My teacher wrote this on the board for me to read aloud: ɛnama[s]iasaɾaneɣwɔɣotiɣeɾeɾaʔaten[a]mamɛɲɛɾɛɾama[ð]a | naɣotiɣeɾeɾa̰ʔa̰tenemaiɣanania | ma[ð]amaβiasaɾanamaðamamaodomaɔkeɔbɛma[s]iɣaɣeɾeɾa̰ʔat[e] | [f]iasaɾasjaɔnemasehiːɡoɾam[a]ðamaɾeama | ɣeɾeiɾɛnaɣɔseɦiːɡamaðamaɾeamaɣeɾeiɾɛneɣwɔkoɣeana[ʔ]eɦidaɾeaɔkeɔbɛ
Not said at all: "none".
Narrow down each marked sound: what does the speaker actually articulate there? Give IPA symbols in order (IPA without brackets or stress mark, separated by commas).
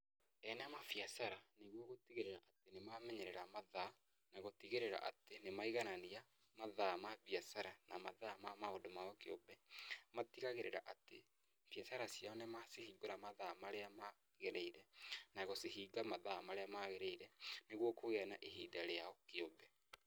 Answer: f, e, ð, ð, t, e, f, a, ʔ